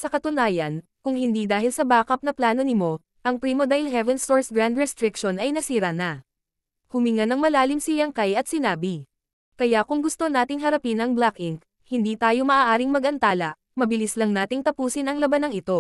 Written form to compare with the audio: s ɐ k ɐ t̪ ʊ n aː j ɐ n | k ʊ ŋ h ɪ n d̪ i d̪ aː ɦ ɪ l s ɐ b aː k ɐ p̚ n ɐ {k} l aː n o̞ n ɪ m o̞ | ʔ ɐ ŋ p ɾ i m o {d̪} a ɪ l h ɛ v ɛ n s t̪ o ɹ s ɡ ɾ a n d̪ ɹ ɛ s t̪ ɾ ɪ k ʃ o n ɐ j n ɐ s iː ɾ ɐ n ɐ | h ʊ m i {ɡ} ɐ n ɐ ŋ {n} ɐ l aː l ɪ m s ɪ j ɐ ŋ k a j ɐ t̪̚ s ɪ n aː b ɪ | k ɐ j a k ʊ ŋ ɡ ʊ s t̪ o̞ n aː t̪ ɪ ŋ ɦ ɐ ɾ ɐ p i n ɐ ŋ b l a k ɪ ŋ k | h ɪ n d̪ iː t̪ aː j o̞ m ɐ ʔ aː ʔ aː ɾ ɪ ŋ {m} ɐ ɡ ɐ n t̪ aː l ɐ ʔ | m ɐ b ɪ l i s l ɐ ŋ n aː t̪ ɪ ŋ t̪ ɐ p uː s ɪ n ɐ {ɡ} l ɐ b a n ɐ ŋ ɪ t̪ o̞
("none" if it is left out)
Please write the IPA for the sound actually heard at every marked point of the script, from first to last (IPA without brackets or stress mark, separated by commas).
p, d̪, ŋ, m, m, ŋ